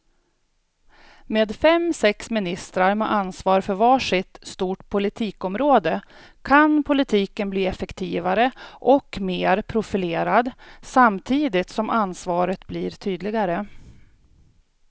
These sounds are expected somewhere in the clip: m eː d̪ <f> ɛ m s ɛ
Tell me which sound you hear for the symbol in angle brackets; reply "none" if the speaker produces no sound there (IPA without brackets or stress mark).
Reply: f